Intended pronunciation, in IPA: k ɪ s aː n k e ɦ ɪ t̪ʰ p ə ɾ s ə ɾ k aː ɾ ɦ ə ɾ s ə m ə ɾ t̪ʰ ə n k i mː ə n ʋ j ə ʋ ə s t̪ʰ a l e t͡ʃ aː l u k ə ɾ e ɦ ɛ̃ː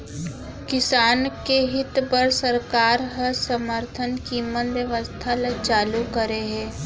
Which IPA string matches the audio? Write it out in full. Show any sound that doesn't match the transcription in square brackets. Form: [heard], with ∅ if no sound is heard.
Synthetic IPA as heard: k ɪ s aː n k e ɦ ɪ [t̪] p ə ɾ s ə ɾ k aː ɾ ɦ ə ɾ s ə m ə ɾ t̪ʰ ə n k i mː ə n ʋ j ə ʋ ə s t̪ʰ a l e t͡ʃ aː l u k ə ɾ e ɦ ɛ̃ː